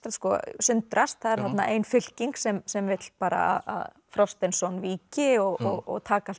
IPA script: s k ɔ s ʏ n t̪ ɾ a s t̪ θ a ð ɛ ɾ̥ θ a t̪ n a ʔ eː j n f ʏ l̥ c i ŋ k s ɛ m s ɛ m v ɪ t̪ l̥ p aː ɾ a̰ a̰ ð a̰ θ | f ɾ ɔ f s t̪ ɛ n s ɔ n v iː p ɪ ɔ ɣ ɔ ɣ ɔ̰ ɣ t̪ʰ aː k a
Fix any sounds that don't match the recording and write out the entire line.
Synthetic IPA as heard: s k ɔ s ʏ n t̪ ɾ a s t̪ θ a ð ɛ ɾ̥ θ a t̪ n a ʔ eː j n f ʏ l̥ c i ŋ k s ɛ m s ɛ m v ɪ t̪ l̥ p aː ɾ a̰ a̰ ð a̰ ð | f ɾ ɔ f s t̪ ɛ n s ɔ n v iː c ɪ ɔ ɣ ɔ ɣ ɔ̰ ɣ t̪ʰ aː k a